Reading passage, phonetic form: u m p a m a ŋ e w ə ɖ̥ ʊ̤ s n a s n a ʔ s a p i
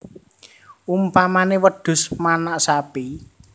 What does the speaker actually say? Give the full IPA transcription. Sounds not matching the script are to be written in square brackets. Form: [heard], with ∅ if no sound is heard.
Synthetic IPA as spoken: u m p a m a [n] e w ə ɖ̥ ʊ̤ s [m] a [∅] n a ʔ s a p i

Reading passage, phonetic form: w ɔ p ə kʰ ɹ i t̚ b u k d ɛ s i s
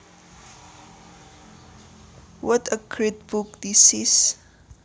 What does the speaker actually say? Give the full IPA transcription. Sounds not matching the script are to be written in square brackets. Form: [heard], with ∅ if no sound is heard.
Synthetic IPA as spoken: w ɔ [t] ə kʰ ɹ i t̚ b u k d [i] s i s

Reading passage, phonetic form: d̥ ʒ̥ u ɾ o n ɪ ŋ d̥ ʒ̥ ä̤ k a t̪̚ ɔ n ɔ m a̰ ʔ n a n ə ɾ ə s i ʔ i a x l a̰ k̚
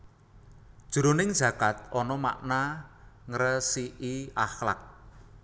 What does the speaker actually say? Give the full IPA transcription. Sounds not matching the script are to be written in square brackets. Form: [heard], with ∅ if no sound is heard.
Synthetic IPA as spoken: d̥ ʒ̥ u ɾ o n ɪ ŋ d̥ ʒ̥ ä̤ k a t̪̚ ɔ n ɔ m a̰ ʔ n a [ŋ] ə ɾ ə s i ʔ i a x l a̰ k̚

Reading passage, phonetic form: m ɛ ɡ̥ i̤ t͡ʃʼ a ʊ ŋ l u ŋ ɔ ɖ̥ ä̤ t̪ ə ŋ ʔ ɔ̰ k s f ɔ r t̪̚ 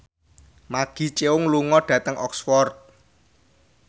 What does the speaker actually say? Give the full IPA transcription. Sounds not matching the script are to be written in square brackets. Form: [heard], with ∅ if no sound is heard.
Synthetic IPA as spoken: m [a] ɡ̥ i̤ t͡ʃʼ [e] ʊ ŋ l u ŋ ɔ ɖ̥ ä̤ t̪ ə ŋ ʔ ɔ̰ k s f ɔ r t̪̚

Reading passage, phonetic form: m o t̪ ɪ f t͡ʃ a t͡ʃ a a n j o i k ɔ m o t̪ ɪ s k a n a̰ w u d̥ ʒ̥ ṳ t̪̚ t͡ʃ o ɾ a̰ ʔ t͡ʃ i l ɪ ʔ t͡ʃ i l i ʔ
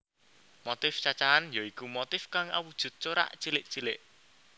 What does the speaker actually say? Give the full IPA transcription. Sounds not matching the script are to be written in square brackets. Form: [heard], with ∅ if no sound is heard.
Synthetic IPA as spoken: m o t̪ ɪ f t͡ʃ a t͡ʃ a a n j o i k [u] m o t̪ ɪ [f] k a [ŋ] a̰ w u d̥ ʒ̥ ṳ t̪̚ t͡ʃ o ɾ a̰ ʔ t͡ʃ i l ɪ ʔ t͡ʃ i l [ɪ] ʔ

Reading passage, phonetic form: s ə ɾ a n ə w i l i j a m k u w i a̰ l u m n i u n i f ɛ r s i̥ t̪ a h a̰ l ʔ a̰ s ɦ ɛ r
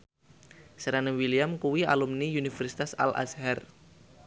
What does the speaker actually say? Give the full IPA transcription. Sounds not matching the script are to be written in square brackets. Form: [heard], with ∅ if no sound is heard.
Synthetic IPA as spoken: s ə ɾ a n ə w i l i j a m k u w i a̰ l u m n i u n i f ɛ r s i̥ t̪ a [s] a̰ l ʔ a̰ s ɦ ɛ r

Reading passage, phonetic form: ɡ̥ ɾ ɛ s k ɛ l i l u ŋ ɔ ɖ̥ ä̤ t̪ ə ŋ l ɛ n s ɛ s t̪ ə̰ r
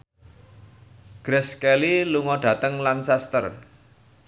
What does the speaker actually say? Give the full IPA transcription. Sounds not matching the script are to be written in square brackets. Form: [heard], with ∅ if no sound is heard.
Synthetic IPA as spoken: ɡ̥ ɾ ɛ s k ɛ l i l u ŋ ɔ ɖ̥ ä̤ t̪ ə ŋ l [a] n s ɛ s t̪ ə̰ r

